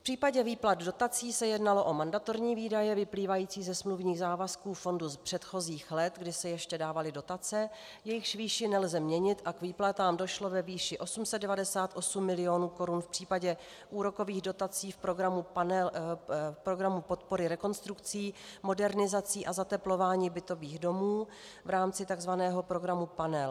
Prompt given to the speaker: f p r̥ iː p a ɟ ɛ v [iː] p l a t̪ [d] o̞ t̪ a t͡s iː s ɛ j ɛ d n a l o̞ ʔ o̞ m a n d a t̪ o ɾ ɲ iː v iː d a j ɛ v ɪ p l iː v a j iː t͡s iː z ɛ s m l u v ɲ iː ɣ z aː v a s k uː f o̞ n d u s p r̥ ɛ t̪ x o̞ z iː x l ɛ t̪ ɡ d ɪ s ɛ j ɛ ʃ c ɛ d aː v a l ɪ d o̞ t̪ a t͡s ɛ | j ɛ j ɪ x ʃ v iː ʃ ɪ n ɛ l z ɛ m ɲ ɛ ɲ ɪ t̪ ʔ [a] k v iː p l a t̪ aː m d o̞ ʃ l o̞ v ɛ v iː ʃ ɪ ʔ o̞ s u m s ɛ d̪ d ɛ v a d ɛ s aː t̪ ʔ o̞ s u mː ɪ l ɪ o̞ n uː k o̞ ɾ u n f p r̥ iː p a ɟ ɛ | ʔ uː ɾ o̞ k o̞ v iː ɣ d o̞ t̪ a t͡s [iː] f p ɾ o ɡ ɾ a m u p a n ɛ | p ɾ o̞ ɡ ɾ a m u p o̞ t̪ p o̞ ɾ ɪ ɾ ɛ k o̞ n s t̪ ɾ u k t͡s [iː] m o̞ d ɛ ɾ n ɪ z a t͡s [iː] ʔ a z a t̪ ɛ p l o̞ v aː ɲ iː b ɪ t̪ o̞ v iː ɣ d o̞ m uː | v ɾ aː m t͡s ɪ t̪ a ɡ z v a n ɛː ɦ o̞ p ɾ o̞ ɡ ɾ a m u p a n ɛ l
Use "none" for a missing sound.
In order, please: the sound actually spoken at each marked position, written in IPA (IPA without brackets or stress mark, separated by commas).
iː, d, a, iː, iː, iː